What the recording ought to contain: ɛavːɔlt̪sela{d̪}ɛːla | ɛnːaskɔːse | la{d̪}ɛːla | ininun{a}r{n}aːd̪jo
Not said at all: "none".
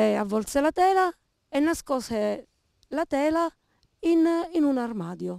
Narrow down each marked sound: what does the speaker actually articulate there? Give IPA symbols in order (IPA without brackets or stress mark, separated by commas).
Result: t̪, t̪, a, m